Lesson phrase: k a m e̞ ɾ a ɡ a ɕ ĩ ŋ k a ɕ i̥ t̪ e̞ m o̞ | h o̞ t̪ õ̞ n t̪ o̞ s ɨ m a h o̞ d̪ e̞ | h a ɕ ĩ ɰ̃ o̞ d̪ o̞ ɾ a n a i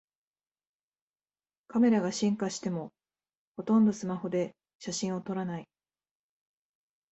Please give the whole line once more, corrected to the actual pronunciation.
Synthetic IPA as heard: k a m e̞ ɾ a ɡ a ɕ ĩ ŋ k a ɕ i̥ t̪ e̞ m o̞ | h o̞ t̪ õ̞ n d̪ o̞ s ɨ m a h o̞ d̪ e̞ | ɕ a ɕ ĩ ɰ̃ o̞ t̪ o̞ ɾ a n a i

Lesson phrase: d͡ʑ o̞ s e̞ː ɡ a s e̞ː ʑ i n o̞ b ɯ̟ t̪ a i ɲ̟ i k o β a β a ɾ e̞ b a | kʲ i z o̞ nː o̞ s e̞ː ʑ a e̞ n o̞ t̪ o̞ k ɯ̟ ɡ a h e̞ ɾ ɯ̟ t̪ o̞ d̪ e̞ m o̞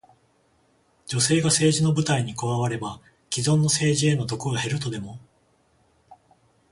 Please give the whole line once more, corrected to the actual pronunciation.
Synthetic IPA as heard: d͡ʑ o̞ s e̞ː ɡ a s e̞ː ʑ i n o̞ b ɯ̟ t̪ a i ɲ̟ i k o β a β a ɾ e̞ b a | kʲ i z õ̞ nː o̞ s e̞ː ʑ i e̞ n o̞ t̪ o̞ k ɯ̟ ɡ a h e̞ ɾ ɯ̟ t̪ o̞ d̪ e̞ m o̞

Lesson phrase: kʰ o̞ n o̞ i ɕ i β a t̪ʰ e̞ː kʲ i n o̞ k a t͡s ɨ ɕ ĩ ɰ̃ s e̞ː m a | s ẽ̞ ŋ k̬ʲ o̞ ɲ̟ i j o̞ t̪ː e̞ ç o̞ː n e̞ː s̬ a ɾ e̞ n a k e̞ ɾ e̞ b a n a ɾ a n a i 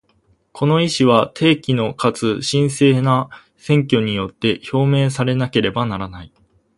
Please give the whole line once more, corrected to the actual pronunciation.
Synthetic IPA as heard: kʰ o̞ n o̞ i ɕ i β a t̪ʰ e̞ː kʲ i n o̞ k a t͡s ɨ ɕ ĩ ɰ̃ s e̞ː n a | s ẽ̞ ŋ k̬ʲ o̞ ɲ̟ i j o̞ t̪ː e̞ ç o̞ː m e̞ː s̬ a ɾ e̞ n a k e̞ ɾ e̞ b a n a ɾ a n a i

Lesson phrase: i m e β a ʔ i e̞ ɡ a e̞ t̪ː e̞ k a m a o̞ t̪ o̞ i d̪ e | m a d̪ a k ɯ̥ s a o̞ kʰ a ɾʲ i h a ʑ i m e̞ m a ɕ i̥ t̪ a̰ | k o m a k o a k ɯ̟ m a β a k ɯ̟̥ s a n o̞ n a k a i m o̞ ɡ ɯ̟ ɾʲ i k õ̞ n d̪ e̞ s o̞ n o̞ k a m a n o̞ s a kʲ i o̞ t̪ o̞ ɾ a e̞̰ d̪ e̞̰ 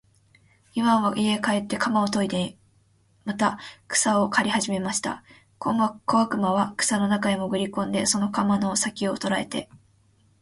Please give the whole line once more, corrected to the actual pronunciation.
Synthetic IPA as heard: i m a β a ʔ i e̞ k a e̞ t̪ː e̞ k a m a o̞ t̪ o̞ i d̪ e | m a t̪ a k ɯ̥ s a o̞ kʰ a ɾʲ i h a ʑ i m e̞ m a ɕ i̥ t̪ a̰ | k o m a k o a k ɯ̟ m a β a k ɯ̟̥ s a n o̞ n a k a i m o̞ ɡ ɯ̟ ɾʲ i k õ̞ n d̪ e̞ s o̞ n o̞ k a m a n o̞ s a kʲ i o̞ t̪ o̞ ɾ a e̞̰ t̪ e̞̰

